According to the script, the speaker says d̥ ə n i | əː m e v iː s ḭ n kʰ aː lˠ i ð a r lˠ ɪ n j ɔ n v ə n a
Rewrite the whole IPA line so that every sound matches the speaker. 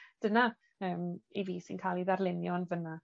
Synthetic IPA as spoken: d̥ ə n a | əː m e v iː s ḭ n kʰ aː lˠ i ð a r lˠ ɪ n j ɔ n v ə n a